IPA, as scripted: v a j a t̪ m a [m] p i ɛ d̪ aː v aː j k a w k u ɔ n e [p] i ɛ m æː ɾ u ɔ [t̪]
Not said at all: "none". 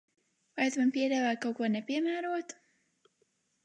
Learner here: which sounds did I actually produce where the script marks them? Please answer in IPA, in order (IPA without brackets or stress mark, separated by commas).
n, p, t̪